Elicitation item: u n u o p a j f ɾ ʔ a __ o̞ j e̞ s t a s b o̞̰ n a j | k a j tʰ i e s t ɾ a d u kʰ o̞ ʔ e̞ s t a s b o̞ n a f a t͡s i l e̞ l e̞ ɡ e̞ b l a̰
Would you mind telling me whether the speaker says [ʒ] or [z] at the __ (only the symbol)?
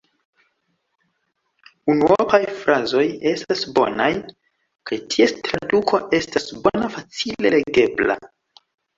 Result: z